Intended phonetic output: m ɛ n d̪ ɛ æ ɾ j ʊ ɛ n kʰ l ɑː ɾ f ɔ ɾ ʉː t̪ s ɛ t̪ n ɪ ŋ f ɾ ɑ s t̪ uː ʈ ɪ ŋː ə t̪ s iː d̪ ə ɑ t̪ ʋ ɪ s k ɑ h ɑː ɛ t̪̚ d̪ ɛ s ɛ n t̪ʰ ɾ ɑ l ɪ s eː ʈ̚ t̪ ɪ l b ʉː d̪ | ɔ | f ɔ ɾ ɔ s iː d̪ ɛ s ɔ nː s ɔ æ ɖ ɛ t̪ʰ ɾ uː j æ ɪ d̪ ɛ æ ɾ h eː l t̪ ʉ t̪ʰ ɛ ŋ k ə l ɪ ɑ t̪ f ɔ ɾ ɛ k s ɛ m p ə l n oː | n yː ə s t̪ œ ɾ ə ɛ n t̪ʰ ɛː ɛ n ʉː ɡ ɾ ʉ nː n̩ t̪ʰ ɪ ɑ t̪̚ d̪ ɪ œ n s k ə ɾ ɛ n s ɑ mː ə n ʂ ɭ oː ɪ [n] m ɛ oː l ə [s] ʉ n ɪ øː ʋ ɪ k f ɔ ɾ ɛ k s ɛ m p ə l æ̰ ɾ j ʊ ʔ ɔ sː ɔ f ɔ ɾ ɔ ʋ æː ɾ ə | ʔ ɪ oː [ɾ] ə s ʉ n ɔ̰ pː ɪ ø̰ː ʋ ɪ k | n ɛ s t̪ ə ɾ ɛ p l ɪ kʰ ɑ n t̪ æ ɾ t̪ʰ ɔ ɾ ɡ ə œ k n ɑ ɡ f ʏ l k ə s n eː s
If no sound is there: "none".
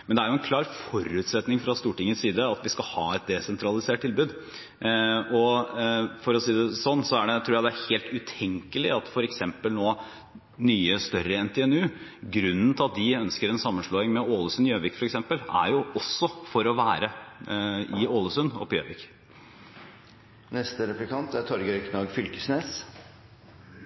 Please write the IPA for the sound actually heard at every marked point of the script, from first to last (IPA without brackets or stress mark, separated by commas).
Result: ŋ, s, l